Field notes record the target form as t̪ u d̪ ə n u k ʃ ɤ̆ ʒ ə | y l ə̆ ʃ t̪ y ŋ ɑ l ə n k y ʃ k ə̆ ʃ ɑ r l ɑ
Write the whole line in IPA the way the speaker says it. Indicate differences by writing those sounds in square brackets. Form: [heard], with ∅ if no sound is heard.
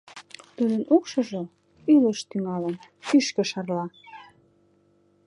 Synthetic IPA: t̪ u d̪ ə n u k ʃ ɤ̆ ʒ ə | y l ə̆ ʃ t̪ y ŋ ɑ l ə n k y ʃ k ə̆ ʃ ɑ r l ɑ